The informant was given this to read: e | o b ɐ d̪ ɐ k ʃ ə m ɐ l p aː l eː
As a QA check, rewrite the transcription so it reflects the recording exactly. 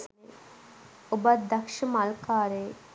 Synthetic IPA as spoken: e | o b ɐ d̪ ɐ k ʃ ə m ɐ l k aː ɾ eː

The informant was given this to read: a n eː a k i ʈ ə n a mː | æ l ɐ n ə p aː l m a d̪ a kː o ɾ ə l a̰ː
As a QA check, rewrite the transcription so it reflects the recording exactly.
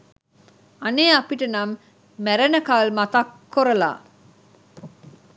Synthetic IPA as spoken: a n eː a p i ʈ ə n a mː | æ ɾ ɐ n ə k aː l m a t̪ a kː o ɾ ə l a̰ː

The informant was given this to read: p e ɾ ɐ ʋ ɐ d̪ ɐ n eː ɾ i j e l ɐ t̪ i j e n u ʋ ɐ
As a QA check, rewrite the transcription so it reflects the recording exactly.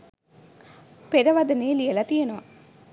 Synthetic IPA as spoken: p e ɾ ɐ ʋ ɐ d̪ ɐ n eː l i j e l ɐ t̪ i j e n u ʋ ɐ

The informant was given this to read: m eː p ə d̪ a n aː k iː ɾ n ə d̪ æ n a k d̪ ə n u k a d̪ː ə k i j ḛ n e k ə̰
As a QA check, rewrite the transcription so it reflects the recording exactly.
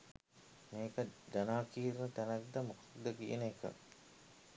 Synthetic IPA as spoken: m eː k ə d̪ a n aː k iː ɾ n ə t̪ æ n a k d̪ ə m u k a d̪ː ə k i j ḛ n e k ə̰

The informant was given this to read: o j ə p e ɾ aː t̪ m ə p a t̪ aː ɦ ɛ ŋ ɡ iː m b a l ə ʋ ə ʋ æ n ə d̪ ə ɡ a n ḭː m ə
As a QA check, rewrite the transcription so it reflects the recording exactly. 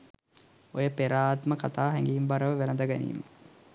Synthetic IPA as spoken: o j ə p e ɾ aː t̪ m ə k a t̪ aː ɦ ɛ ŋ ɡ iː m b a ɾ ə ʋ ə ʋ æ n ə d̪ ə ɡ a n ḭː m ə

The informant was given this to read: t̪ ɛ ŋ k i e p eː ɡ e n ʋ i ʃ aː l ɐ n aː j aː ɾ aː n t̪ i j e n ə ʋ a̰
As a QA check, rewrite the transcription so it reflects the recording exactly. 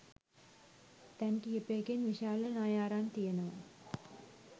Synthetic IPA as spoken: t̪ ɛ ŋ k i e p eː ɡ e n ʋ i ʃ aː l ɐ n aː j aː ɾ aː n t̪ i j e n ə ʋ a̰

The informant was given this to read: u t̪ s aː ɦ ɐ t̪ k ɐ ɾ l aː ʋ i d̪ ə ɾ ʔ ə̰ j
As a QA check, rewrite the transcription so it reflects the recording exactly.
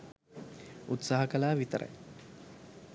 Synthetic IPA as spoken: u t̪ s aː ɦ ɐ k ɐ l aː ʋ i t̪ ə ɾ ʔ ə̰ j

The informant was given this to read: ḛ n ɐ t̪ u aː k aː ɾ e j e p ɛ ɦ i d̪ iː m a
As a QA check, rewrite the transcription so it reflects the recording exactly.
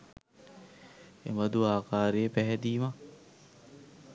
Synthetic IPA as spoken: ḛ m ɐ d̪ u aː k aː ɾ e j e p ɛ ɦ ɛ d̪ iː m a

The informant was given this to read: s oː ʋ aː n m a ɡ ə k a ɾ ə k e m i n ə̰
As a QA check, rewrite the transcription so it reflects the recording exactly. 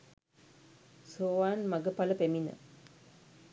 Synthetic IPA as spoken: s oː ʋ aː n m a ɡ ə p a l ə p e m i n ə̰

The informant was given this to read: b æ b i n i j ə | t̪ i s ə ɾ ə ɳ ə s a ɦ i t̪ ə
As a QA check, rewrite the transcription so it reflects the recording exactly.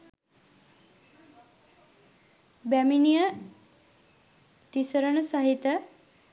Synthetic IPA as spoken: b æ m i n i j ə | t̪ i s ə ɾ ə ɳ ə s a ɦ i t̪ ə

